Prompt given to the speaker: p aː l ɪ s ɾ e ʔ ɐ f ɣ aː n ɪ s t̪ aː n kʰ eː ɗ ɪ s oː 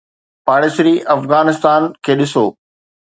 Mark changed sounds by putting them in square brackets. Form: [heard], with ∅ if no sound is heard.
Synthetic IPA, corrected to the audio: p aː [ɽ] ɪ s ɾ [i] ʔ ɐ f ɣ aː n ɪ s t̪ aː n kʰ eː ɗ ɪ s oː